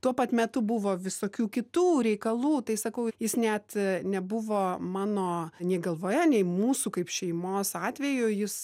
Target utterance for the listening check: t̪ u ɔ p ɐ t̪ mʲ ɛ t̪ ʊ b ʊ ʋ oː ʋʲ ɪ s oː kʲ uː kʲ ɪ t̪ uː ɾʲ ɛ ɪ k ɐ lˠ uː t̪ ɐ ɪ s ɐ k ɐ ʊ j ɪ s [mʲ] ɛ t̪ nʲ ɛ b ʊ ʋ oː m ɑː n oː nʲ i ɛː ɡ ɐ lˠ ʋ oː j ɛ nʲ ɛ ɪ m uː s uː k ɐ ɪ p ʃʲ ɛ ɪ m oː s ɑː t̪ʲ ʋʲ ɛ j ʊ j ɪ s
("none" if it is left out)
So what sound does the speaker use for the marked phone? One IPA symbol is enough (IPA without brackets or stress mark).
nʲ